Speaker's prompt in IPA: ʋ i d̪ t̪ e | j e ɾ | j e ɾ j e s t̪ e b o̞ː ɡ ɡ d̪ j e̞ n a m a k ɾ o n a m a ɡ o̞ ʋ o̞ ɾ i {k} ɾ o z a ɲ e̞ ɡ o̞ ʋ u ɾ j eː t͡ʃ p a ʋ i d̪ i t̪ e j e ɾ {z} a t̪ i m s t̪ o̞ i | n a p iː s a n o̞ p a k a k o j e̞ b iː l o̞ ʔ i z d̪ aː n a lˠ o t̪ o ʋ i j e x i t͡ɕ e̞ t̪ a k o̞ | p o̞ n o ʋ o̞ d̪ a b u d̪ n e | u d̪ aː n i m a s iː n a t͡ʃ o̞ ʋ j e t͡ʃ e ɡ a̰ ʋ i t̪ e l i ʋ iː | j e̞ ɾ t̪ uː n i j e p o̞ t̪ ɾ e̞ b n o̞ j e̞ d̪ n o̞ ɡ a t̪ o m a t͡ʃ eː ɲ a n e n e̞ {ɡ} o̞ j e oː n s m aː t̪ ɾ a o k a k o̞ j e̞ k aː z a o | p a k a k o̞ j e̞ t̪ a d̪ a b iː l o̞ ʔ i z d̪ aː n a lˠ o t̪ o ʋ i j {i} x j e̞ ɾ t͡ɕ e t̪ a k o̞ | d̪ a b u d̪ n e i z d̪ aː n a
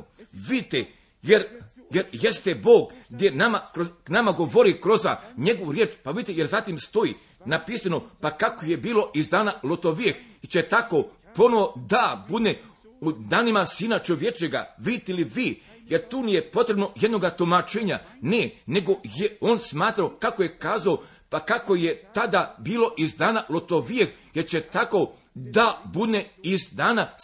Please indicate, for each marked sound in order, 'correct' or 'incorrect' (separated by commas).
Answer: correct, correct, correct, incorrect